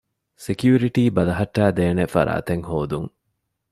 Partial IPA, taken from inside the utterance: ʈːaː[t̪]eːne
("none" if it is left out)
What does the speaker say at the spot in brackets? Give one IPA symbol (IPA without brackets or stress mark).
d̪